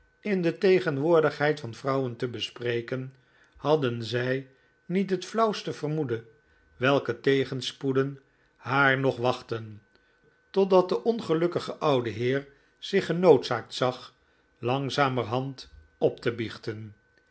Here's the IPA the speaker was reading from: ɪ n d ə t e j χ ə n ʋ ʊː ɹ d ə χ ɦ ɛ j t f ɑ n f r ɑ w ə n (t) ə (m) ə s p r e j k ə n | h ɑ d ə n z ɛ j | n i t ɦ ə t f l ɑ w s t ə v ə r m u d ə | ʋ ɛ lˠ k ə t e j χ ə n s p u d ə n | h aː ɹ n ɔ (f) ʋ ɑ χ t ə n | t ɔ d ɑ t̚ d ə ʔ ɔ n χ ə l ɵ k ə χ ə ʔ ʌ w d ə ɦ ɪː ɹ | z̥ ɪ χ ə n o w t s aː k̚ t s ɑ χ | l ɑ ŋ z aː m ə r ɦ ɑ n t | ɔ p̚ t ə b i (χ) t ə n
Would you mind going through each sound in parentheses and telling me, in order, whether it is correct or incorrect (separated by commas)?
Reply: correct, incorrect, incorrect, correct